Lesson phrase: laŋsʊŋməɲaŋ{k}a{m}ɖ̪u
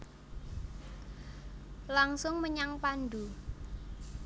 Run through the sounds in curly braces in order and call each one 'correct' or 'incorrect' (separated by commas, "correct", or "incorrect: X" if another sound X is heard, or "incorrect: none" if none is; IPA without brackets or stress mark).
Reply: incorrect: p, incorrect: n